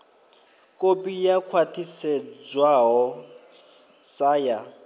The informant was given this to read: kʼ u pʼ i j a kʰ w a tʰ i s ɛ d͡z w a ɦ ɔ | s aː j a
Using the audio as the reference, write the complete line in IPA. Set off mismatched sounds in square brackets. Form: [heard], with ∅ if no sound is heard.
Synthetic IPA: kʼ [o] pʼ i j a kʰ w a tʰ i s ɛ d͡z w a ɦ ɔ | s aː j a